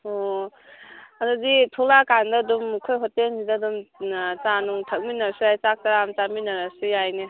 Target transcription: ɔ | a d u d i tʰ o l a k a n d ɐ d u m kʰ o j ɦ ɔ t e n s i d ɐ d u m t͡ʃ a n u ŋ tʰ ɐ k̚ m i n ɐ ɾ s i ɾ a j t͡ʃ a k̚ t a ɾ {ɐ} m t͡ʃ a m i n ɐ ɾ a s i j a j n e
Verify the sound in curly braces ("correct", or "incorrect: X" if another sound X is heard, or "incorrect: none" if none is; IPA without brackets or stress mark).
incorrect: a